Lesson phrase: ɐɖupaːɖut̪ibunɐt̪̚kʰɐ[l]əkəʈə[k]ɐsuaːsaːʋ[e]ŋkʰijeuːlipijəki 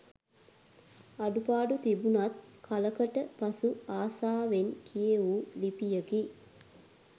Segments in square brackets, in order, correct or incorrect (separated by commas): correct, incorrect, correct